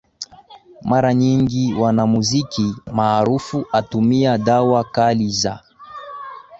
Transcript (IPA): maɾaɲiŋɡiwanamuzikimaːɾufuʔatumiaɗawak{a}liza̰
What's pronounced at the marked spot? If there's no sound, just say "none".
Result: a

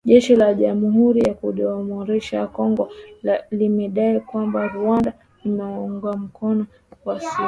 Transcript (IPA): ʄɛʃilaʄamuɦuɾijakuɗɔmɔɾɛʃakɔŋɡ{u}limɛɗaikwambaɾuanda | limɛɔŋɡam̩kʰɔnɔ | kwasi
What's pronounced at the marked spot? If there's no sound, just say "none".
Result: ɔ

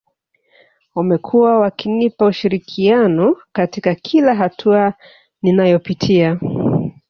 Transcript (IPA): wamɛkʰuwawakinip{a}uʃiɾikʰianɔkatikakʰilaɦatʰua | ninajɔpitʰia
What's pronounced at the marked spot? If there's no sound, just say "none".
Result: a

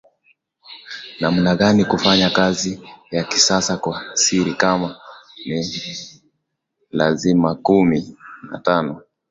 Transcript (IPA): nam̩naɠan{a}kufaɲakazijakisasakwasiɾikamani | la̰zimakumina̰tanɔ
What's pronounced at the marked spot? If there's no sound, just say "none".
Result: i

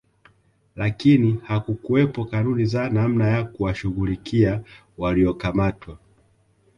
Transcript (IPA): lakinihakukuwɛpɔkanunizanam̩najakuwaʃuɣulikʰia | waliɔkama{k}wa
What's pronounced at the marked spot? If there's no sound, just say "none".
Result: t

